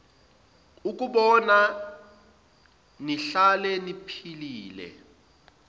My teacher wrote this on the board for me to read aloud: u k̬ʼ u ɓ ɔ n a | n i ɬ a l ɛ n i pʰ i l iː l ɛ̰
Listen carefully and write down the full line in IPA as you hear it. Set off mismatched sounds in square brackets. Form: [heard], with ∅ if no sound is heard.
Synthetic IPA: u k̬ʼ u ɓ ɔ n a | n i ɬ a l ɛ n i pʰ i l iː l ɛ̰